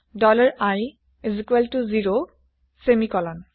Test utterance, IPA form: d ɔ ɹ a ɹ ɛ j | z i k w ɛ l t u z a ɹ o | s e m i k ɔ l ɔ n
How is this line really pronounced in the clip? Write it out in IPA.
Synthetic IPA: d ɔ l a ɹ a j | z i k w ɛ l t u z i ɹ o | s e m i k ɔ l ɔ n